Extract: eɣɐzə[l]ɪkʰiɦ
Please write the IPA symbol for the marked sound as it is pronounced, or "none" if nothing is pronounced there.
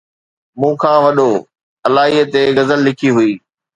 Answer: lː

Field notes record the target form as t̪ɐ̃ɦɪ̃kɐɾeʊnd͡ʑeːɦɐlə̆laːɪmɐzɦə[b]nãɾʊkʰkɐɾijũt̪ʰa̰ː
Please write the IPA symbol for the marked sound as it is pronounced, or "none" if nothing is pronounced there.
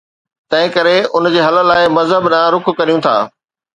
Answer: b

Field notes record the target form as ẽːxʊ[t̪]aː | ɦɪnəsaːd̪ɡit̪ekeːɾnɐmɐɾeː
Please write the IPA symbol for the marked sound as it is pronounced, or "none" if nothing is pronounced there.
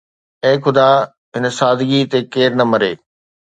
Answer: d̪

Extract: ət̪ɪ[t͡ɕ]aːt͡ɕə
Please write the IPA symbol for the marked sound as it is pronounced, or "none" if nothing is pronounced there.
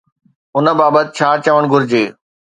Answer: t͡ɕʰ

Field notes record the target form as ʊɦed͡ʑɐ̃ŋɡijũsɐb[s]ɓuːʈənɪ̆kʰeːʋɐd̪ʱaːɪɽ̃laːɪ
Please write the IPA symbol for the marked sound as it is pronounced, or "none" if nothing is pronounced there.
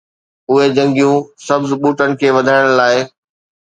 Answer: z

